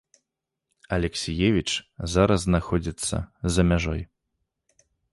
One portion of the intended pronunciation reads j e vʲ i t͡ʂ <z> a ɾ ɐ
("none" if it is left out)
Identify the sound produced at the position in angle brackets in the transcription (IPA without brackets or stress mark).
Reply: z